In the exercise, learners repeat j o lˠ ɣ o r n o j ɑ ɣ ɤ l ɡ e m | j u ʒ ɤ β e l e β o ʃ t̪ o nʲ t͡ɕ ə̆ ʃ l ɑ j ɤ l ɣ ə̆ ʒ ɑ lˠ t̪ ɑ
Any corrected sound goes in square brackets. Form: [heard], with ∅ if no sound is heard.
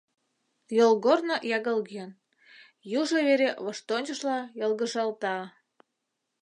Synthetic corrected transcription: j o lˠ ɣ o r n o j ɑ ɣ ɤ l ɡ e [n] | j u ʒ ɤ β e [ɾ] e β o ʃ t̪ o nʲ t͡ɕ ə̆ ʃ l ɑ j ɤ l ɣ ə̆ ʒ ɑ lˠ t̪ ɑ